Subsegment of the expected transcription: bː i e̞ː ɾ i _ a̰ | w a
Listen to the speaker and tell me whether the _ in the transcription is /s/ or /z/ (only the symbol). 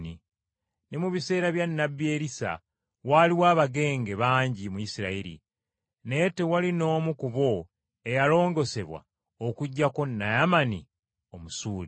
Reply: s